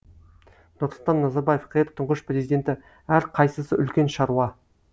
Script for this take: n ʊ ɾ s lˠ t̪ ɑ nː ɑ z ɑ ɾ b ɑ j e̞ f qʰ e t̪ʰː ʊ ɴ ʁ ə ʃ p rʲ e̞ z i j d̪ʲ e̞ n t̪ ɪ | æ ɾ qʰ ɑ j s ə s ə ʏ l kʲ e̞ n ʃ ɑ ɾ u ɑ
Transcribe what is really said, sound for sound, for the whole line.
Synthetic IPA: n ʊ ɾ s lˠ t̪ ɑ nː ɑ z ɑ ɾ b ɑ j e̞ f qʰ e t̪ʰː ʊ ɴ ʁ ə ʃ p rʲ e̞ z i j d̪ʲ e̞ n t̪ ɪ | æ ɾ qʰ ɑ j s ə s ə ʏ l kʲ e̞ n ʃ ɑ ɾ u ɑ